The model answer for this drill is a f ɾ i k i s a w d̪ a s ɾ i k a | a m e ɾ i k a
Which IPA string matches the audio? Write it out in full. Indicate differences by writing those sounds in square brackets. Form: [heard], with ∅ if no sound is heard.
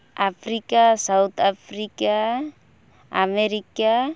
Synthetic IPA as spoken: a f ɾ i k [a] s a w [t̪] a [f] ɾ i k a | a m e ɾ i k a